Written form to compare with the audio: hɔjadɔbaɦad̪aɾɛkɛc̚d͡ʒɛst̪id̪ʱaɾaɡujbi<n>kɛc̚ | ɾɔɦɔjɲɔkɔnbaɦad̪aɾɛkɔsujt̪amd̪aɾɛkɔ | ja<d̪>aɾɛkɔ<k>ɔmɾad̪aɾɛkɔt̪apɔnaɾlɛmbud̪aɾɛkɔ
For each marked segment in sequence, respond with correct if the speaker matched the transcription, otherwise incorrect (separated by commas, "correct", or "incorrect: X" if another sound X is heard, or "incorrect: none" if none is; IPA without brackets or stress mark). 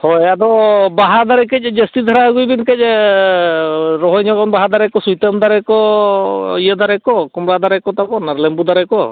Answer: correct, correct, correct